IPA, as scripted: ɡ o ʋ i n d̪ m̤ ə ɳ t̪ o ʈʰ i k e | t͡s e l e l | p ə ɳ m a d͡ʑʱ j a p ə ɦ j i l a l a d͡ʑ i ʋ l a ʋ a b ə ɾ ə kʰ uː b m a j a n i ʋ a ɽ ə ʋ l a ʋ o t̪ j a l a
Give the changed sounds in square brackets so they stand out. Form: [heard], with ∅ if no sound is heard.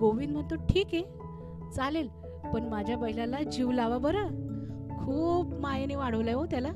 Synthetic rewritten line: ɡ o ʋ i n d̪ m̤ ə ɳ t̪ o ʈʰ [iː] k e | t͡s [a] l e l | p ə ɳ m a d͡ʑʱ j a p ə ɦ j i l a l a d͡ʑ i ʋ l a ʋ a b ə ɾ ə kʰ uː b m a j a n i ʋ a ɽ ə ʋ l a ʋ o t̪ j a l a